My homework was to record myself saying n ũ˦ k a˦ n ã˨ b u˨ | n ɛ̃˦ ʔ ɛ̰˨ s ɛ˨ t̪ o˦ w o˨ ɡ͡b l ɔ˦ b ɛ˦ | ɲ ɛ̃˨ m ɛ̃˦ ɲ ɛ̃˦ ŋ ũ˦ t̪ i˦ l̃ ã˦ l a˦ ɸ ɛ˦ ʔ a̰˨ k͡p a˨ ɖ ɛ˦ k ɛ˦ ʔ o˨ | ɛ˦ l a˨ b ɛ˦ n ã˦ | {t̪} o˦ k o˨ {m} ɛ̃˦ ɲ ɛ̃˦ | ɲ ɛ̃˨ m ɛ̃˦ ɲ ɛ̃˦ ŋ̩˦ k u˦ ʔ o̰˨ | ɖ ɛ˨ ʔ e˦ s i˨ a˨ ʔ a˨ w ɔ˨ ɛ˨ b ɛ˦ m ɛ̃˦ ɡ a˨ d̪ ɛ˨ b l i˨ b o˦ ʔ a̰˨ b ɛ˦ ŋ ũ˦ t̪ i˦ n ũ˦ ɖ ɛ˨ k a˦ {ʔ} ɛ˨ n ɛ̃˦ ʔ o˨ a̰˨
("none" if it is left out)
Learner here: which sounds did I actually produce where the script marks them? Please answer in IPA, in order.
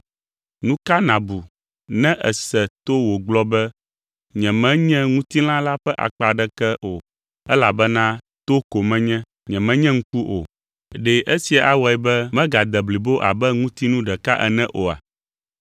t̪, m, ʔ

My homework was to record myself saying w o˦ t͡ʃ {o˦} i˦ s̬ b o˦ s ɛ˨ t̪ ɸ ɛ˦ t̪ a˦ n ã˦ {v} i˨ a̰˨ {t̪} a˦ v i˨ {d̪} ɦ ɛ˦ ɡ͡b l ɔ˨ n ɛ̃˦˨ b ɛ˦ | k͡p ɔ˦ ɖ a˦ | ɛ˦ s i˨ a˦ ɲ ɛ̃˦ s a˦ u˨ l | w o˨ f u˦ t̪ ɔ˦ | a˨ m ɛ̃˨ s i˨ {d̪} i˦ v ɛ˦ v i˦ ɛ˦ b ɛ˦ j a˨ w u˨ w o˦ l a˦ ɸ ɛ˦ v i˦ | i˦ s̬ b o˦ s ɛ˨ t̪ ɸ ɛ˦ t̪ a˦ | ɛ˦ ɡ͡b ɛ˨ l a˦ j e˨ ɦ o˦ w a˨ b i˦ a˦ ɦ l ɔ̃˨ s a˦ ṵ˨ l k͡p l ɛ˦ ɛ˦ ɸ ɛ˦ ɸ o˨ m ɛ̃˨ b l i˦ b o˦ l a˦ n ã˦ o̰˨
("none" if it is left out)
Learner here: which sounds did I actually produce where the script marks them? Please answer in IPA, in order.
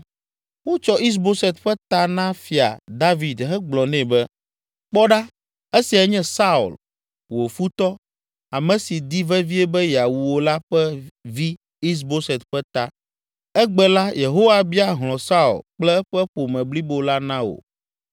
ɔ˦, f, d̪, d̪, d̪

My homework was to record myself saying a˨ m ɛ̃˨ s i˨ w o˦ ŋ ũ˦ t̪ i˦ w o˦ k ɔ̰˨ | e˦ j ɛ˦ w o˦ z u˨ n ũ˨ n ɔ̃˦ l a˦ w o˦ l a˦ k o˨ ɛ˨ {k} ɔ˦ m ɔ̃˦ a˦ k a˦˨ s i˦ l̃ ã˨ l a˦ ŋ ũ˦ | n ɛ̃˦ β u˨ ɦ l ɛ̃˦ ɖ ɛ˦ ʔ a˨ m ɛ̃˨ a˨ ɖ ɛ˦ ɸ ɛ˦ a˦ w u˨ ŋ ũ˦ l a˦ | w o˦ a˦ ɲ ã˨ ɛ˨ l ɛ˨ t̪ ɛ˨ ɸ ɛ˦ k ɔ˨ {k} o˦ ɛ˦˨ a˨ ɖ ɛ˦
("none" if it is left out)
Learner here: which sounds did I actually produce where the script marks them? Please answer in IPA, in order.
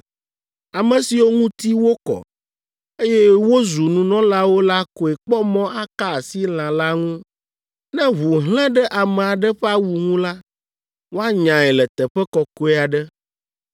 k͡p, k

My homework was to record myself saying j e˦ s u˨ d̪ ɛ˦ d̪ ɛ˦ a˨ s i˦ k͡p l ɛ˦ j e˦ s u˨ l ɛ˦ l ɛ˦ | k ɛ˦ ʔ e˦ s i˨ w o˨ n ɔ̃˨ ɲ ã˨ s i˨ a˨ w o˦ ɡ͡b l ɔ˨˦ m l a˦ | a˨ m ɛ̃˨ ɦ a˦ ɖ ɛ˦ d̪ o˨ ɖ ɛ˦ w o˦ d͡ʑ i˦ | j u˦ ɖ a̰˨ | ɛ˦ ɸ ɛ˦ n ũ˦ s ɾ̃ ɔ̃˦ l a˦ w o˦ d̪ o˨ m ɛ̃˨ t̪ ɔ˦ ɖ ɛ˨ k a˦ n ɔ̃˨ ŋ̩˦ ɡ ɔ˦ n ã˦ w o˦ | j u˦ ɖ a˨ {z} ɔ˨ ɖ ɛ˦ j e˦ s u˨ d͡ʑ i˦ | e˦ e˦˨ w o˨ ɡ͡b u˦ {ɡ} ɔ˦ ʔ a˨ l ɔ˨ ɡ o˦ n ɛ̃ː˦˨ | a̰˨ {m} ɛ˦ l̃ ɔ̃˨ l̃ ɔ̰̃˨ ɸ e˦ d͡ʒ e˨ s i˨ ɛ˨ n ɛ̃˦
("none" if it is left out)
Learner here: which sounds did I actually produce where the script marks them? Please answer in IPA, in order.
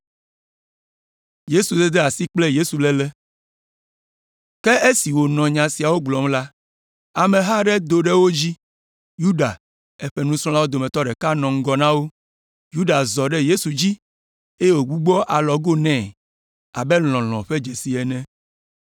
z, ɡ͡b, b

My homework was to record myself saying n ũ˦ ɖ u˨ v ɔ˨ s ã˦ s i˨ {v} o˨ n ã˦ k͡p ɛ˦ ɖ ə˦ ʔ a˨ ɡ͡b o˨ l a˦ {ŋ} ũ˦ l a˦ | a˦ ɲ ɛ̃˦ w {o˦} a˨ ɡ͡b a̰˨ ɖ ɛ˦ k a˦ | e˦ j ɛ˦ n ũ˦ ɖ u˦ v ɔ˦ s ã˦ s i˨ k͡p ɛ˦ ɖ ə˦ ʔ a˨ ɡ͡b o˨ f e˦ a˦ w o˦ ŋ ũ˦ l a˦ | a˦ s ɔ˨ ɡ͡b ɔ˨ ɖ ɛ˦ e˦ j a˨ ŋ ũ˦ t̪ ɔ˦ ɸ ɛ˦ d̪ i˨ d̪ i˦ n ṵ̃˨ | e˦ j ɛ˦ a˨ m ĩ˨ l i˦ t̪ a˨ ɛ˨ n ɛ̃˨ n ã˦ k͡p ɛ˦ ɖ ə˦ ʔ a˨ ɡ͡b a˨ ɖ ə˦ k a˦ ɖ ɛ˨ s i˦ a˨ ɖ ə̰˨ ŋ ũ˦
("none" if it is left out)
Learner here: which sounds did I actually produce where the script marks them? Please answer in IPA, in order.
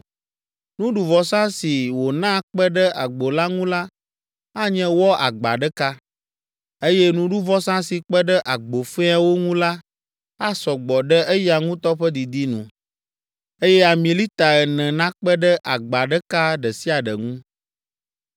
w, ŋ, ɔ˦

